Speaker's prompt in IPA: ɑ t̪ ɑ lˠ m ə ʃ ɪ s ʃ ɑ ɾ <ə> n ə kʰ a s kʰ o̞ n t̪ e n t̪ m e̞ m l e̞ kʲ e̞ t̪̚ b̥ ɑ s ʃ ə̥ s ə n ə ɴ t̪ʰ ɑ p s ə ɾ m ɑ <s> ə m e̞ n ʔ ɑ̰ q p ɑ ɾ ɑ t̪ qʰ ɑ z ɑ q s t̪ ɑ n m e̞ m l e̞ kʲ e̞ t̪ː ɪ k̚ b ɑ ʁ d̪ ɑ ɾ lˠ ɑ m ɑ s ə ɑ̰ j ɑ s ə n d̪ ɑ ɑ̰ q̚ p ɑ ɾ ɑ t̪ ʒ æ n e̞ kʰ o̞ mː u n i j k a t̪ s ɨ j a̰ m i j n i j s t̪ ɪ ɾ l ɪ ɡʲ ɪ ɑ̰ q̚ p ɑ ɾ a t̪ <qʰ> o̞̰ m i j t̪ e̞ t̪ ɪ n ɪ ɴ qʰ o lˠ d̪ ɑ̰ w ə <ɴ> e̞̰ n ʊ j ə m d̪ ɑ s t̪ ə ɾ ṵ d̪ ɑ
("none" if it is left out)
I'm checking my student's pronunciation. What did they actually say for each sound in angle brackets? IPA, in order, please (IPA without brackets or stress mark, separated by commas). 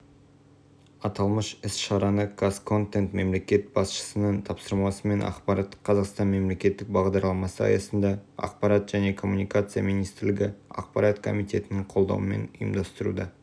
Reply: ɑ, s, kʰ, m